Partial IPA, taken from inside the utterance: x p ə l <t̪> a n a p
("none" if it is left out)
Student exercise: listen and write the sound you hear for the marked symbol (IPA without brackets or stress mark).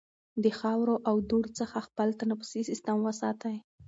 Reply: t̪